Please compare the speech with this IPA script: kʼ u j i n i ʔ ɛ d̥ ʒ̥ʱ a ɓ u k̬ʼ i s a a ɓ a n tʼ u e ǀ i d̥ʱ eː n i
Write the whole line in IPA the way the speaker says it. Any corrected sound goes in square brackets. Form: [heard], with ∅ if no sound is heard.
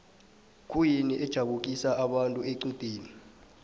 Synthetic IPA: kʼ u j i n i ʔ ɛ d̥ ʒ̥ʱ a ɓ u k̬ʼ i s a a ɓ a n tʼ u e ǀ i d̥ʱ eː n i